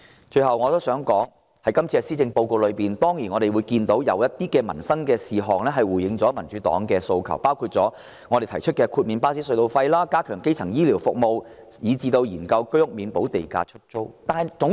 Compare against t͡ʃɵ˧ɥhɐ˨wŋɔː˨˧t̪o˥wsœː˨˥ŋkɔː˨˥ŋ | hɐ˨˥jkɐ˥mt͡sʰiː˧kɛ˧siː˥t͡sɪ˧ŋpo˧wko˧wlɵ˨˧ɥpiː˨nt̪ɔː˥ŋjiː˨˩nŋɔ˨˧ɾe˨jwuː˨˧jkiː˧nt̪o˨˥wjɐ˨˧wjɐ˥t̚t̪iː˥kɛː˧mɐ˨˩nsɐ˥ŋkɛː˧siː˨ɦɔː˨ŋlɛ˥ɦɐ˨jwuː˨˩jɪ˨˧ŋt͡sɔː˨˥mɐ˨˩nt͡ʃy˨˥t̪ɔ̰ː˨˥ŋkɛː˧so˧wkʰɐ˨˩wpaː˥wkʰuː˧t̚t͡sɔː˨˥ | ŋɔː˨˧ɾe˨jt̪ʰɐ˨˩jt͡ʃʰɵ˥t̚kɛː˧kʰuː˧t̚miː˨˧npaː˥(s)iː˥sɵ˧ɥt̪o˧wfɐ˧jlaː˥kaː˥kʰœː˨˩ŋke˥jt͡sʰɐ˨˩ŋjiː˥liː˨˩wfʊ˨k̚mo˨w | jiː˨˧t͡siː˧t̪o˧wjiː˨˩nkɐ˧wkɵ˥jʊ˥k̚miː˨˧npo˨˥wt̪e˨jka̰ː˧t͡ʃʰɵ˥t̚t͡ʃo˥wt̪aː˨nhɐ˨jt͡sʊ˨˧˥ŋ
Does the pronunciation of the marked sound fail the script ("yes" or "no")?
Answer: no